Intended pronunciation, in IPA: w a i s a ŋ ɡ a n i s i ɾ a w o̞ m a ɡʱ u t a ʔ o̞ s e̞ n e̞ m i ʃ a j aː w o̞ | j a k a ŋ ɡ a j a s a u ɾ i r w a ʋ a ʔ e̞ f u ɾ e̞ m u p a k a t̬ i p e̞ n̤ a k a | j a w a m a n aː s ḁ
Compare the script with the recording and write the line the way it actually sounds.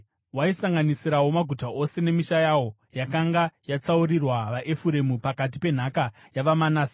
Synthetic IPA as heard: w a i s a ŋ ɡ a n i s i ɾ a w o̞ m a ɡʱ u t a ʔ o̞ s e̞ n e̞ m i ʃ a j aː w o̞ | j a k a ŋ ɡ a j a t͡s a u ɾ i r w a ʋ a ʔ e̞ f u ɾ e̞ m u p a k a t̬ i p e̞ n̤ a k a | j a ʋ a m a n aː s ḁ